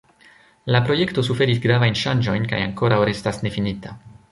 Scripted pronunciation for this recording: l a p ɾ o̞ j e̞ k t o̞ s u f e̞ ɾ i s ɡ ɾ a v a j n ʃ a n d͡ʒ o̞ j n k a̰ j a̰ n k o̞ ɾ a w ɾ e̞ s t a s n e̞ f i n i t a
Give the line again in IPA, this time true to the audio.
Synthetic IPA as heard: l a p ɾ o̞ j e̞ k t o̞ s u f e̞ ɾ i s ɡ ɾ a v a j n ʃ a n d͡ʒ o̞ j n k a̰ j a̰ ŋ k o̞ ɾ a w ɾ e̞ s t a s n e̞ f i n i t a